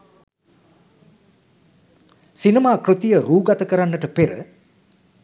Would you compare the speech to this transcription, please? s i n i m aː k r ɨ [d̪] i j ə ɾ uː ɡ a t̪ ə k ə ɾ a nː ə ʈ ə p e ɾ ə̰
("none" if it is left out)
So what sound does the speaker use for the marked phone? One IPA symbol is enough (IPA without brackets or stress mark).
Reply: t̪